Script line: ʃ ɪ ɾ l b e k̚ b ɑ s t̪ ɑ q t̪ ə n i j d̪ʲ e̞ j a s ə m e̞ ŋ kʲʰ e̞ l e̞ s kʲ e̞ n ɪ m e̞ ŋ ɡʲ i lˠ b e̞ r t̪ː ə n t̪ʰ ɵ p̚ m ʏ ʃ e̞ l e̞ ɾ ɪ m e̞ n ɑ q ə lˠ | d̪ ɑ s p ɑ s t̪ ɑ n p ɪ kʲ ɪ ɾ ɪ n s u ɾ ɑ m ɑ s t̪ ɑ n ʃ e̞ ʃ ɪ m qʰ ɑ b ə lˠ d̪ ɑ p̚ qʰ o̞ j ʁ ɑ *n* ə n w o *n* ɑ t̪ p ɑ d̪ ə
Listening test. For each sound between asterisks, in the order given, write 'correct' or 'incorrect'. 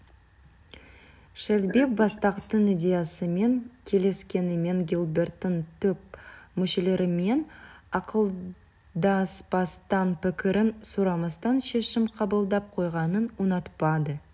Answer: correct, correct

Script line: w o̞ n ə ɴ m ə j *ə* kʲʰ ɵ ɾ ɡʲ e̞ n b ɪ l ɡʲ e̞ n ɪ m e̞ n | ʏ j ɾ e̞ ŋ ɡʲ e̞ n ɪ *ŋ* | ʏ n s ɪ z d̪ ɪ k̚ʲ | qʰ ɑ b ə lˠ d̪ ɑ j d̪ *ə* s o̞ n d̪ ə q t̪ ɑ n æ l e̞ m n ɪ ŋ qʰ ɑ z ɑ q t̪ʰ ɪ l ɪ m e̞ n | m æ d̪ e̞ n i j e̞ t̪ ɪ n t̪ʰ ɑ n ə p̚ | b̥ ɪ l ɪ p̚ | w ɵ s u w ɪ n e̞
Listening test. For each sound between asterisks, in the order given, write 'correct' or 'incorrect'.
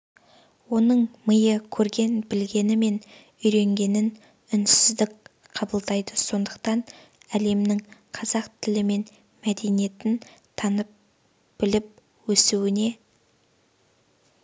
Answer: correct, incorrect, correct

